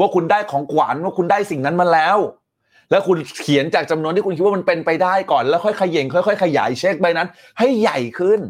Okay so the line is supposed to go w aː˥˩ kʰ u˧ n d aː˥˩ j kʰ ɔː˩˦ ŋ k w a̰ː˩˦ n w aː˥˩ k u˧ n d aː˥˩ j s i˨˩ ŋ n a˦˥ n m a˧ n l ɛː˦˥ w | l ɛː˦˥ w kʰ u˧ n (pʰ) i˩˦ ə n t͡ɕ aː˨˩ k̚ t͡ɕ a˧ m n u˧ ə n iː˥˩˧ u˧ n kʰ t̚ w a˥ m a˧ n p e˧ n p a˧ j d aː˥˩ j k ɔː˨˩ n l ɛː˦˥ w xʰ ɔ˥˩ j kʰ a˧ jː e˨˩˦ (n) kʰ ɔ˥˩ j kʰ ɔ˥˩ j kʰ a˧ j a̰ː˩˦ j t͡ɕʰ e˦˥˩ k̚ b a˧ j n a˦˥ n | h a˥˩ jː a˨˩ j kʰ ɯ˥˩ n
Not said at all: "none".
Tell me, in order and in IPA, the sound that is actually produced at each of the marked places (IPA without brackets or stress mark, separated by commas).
kʰ, ŋ